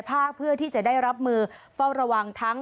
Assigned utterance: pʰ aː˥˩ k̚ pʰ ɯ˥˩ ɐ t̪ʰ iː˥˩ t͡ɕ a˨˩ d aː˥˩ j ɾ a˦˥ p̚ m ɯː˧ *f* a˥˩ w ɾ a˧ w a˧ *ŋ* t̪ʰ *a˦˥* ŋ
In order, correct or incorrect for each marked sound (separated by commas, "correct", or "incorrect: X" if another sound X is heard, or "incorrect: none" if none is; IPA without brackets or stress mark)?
correct, correct, correct